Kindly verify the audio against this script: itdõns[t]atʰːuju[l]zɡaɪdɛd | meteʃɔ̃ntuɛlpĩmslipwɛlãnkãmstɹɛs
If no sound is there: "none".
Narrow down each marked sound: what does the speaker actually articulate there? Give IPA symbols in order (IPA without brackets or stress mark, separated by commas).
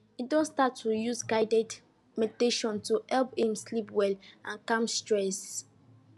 t, none